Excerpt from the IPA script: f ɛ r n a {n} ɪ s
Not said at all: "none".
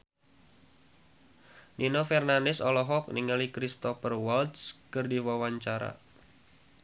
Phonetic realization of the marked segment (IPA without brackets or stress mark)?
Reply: n